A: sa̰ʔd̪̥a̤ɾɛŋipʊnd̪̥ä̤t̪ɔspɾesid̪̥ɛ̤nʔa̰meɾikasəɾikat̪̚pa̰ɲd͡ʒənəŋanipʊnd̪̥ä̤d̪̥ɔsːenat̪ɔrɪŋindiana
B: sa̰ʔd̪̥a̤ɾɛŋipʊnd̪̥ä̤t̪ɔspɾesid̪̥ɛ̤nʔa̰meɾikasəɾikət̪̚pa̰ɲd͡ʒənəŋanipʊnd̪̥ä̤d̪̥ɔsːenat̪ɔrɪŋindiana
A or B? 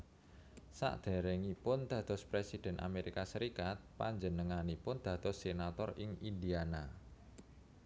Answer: A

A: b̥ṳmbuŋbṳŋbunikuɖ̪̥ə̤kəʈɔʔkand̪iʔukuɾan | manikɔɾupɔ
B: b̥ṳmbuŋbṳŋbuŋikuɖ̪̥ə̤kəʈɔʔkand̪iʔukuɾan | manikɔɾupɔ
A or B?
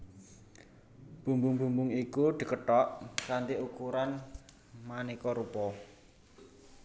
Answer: B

